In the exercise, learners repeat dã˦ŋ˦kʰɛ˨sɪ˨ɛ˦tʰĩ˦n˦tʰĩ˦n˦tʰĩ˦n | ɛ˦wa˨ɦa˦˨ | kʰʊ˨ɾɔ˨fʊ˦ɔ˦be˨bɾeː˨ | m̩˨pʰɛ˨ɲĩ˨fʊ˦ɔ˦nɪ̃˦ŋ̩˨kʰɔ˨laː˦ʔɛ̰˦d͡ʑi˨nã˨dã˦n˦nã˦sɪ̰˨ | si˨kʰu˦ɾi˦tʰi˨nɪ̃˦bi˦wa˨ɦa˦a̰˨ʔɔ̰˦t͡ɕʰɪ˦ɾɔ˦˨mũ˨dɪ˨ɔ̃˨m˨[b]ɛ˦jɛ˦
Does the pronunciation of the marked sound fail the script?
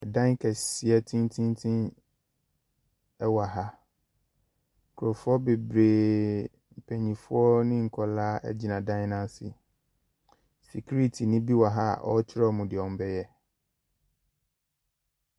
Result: no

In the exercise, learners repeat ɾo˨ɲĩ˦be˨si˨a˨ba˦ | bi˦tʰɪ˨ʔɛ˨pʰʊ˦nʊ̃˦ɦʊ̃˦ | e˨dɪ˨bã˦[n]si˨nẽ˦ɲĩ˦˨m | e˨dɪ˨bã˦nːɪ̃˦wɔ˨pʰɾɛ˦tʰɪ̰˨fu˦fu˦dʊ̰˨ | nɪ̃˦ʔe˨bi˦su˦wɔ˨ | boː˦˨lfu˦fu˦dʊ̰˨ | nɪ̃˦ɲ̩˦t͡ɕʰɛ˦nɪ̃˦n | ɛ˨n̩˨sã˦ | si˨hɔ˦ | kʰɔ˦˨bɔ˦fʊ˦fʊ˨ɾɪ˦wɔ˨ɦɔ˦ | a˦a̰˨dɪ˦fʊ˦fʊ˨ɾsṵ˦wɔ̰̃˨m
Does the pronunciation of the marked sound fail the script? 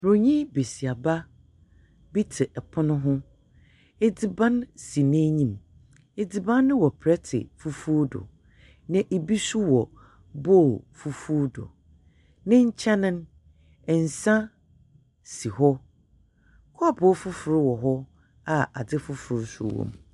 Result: no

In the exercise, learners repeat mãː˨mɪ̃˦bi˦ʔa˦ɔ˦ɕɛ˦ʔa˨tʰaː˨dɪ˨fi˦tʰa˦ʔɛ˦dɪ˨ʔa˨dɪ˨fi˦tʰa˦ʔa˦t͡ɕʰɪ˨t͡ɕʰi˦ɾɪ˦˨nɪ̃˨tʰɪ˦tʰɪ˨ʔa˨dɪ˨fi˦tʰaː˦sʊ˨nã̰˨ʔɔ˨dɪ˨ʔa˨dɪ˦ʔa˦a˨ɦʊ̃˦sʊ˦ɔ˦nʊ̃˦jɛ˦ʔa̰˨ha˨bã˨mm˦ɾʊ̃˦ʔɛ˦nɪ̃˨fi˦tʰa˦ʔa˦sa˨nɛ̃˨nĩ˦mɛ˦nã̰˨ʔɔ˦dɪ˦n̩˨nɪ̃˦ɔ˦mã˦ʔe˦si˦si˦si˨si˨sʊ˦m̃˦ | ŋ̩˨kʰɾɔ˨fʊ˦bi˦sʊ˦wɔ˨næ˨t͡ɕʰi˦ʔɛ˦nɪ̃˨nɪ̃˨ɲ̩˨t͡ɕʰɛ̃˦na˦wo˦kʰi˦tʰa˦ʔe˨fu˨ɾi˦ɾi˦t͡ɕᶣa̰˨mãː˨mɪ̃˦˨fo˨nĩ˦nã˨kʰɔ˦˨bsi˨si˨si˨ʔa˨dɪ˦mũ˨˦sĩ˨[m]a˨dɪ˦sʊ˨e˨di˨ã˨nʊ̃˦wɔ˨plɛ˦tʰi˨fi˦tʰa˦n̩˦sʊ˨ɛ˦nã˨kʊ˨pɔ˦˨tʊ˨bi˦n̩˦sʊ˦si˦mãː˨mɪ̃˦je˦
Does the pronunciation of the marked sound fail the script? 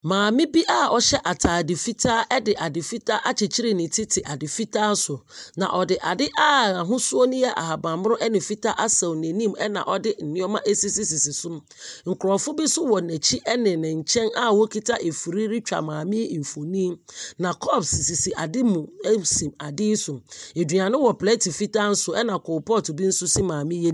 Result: no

